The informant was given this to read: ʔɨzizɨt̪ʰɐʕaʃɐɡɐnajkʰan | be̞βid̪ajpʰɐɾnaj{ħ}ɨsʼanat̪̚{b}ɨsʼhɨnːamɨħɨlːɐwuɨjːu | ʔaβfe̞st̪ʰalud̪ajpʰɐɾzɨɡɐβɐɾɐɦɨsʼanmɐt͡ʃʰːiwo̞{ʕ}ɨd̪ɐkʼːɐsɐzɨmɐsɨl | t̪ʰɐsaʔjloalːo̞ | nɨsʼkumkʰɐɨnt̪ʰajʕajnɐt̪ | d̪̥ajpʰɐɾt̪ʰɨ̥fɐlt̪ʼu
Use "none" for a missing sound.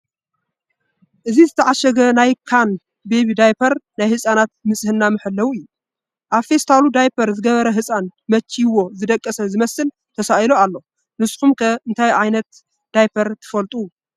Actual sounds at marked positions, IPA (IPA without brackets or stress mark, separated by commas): h, m, z